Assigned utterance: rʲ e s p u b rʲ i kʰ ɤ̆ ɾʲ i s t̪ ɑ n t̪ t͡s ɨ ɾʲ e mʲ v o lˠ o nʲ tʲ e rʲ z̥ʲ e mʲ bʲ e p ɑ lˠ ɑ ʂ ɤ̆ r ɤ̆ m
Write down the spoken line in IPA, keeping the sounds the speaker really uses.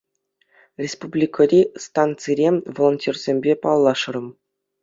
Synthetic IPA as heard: rʲ e s p u b lʲ i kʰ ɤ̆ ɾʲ i s t̪ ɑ n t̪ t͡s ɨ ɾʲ e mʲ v o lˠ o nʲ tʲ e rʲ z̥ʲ e mʲ bʲ e p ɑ lˠː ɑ ʂ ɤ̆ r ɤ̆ m